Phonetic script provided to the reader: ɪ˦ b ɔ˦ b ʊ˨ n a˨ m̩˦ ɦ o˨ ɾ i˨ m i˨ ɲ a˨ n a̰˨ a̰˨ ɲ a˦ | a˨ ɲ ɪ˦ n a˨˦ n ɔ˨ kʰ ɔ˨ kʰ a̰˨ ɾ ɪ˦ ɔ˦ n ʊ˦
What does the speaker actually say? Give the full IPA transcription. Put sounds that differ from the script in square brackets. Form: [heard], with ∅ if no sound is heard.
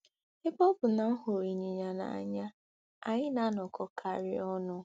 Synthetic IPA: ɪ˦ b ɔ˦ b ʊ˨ n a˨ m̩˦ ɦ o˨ ɾ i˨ [ɲ] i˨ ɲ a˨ n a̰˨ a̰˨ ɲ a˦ | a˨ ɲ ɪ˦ n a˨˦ n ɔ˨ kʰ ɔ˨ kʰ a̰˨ ɾ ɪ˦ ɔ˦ n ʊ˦